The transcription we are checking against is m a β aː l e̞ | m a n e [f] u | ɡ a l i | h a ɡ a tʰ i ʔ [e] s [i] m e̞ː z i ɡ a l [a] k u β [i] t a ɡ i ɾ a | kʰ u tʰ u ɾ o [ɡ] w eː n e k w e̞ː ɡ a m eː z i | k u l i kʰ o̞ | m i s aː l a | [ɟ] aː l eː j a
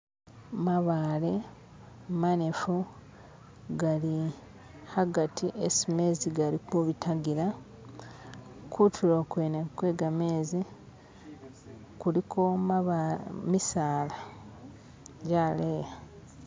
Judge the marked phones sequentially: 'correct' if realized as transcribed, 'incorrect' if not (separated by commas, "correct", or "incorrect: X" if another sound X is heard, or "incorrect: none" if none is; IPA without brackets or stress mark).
correct, correct, correct, incorrect: i, correct, incorrect: k, correct